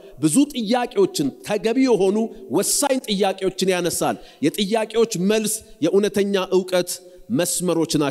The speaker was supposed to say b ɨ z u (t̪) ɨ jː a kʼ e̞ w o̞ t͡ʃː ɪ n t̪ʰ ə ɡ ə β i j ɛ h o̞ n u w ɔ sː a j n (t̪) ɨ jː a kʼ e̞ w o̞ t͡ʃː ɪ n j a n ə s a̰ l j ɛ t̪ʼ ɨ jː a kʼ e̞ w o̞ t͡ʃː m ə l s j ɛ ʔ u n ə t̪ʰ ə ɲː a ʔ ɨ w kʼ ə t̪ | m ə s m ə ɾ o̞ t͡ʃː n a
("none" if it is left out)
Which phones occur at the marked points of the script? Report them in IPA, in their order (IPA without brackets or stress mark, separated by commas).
t̪ʼ, t̪ʼ